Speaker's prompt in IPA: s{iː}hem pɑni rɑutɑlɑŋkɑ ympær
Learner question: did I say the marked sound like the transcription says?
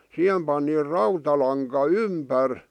no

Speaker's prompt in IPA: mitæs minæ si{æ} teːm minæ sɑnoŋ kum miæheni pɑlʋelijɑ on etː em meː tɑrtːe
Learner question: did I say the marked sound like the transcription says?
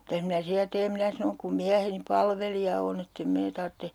yes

